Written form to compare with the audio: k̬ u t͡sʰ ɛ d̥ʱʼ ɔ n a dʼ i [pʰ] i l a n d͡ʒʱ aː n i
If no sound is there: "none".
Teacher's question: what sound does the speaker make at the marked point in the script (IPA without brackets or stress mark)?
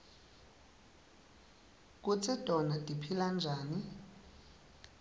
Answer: pʰ